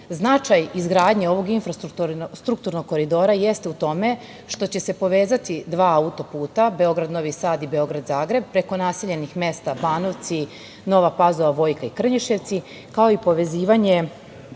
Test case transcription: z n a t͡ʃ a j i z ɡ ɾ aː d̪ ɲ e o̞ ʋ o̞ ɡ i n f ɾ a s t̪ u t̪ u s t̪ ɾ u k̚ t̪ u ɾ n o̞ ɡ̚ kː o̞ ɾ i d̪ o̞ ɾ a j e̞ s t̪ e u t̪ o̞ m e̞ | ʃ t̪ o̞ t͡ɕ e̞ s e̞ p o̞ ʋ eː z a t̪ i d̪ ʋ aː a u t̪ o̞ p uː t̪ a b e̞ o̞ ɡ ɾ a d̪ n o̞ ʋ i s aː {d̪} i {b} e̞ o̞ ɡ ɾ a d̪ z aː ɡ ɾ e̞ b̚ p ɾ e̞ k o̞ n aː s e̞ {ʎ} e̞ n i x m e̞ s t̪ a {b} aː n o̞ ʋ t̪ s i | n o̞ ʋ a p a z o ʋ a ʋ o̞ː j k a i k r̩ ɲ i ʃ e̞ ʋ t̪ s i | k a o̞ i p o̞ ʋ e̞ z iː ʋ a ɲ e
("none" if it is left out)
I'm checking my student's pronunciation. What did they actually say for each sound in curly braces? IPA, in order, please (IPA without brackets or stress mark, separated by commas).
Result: d̪, b, ʎ, b